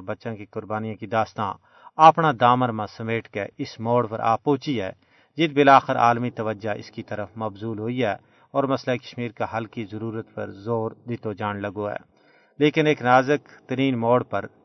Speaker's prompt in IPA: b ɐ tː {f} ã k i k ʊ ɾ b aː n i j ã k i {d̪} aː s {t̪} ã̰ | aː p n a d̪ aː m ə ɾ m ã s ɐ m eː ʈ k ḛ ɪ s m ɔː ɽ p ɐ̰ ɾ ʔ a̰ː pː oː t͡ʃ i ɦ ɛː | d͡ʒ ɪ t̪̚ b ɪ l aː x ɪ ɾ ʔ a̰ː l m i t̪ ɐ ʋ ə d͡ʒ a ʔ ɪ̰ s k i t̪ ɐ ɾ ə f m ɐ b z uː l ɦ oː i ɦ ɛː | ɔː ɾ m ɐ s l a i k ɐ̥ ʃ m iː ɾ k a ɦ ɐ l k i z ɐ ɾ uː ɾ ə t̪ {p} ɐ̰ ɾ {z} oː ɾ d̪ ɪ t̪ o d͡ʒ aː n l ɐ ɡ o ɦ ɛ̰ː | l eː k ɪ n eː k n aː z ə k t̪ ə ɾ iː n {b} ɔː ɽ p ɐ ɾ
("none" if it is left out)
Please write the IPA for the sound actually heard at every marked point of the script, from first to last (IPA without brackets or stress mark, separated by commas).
ʃ, d̪, t̪, p, z, m